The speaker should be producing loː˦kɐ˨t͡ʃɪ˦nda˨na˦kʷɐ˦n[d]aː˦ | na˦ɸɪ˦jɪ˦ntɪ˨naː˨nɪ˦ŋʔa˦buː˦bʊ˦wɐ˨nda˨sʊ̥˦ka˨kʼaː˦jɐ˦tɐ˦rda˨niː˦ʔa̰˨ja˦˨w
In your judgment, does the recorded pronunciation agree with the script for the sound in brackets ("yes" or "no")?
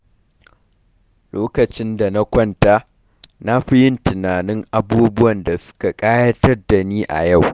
no